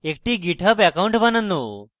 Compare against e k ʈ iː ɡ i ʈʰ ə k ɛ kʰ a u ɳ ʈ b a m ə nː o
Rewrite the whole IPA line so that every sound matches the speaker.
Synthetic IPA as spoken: e k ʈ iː ɡ i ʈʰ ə p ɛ k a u ɳ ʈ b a n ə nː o

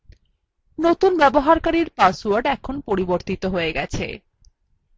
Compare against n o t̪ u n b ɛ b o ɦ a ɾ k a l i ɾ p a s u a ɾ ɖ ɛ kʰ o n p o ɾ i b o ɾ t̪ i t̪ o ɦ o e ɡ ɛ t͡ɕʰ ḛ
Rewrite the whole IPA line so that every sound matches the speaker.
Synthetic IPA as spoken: n o t̪ u n b ɛ b o ɦ a ɾ k a ɾ i ɾ p a s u a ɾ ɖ ɛ kʰ o n p o ɾ i b o ɾ t̪ i t̪ o ɦ o e ɡ ɛ t͡ɕʰ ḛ

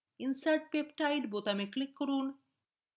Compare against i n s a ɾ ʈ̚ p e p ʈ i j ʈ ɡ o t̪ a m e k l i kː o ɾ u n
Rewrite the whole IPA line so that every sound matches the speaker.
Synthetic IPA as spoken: i n s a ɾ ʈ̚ p e p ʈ a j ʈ b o t̪ a m e k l i kː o ɾ u n

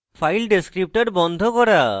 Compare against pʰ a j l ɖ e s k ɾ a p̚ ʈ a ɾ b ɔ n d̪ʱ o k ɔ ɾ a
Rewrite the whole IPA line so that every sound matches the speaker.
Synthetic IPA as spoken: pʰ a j l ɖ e s k ɾ i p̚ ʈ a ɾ b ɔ n d̪ʱ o k ɔ ɾ a

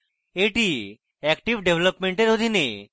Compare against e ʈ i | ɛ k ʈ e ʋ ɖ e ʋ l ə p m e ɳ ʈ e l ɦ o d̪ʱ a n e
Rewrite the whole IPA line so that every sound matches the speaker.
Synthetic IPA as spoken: e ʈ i | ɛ k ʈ i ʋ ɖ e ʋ l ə p m e ɳ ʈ e ɾ ɦ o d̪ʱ i n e

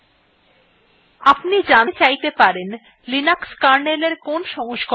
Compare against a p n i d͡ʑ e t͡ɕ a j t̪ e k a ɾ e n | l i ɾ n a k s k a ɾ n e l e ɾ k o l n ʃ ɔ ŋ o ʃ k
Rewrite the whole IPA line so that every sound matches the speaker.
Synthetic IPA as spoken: a p n i d͡ʑ a t͡ɕ a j t̪ e p a ɾ e n | l i n a k s k a ɾ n e l e ɾ k o n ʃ ɔ ŋ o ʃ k

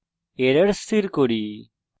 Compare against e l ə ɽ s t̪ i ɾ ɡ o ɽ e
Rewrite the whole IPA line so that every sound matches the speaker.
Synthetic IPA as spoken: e ɾ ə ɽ s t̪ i ɾ k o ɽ i

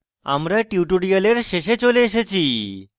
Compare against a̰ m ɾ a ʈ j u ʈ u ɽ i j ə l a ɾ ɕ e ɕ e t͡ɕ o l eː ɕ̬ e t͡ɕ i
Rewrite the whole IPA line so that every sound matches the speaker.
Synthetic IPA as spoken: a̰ m ɾ a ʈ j u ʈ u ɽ i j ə l e ɾ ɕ e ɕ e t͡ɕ o l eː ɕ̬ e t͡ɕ i

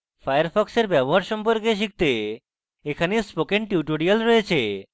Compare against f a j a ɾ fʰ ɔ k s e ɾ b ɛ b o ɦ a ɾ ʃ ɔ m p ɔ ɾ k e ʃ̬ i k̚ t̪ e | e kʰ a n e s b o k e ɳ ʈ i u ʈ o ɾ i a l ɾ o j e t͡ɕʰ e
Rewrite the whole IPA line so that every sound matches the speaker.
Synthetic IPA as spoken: f a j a ɾ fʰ ɔ k s e ɾ b ɛ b o ɦ a ɾ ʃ ɔ m p o ɾ k e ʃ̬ i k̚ t̪ e | e kʰ a n e s p o k e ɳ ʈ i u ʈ o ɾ i a l ɾ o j e t͡ɕʰ e

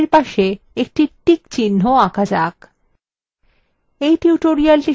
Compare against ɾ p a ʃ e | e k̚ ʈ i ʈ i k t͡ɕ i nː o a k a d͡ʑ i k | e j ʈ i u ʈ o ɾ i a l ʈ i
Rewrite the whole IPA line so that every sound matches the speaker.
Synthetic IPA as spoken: ɾ p a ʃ e | e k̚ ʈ i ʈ i k t͡ɕ i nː o a k a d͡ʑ a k | e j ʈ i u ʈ o ɾ i a l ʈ i

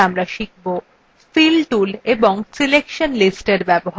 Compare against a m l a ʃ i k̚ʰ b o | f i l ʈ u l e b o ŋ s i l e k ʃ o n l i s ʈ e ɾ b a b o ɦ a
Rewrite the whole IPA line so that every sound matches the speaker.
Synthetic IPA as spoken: a m ɾ a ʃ i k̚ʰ b o | f i l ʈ u l e b o ŋ s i l e k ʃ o n l i s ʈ e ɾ b ɛ b o ɦ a

